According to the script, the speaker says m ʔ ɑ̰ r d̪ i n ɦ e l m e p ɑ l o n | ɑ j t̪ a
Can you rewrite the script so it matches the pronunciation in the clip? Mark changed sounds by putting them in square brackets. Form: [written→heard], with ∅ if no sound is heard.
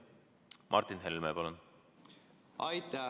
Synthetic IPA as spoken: m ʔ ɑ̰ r [d̪→t̪] i n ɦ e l m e p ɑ l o n | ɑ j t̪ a